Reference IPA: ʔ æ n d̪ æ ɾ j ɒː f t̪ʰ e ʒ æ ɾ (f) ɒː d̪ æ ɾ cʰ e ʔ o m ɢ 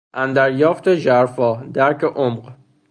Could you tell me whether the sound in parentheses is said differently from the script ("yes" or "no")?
no